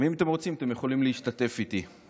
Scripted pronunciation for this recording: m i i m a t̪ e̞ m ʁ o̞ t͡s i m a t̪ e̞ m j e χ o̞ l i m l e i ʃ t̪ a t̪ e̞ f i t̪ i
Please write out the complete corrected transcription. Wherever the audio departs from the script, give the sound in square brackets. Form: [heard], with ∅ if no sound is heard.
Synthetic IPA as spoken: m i i m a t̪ e̞ m ʁ o̞ t͡s i m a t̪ e̞ m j e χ o̞ l i m l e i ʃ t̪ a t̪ e̞ f i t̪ i